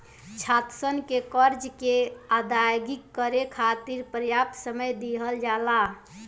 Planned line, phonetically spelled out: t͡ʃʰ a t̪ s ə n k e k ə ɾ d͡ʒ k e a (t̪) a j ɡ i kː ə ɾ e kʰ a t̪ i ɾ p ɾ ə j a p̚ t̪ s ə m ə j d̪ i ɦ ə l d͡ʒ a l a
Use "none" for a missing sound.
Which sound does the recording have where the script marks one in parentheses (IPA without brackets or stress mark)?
d̪